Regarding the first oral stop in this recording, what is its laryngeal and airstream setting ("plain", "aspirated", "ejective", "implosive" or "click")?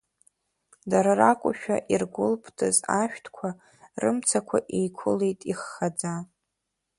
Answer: plain